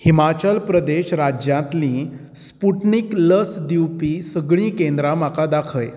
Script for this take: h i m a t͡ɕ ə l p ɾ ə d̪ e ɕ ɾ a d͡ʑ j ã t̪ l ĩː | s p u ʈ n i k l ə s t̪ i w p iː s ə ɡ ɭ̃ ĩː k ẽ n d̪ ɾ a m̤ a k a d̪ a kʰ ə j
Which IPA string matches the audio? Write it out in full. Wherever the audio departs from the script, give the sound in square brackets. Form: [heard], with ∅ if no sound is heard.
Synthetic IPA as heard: h i m a t͡ɕ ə l p ɾ ə d̪ e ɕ ɾ a d͡ʑ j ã t̪ l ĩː | s p u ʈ n i k l ə s [d̪] i w p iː s ə ɡ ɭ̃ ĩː k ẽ n d̪ ɾ a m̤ a k a d̪ a kʰ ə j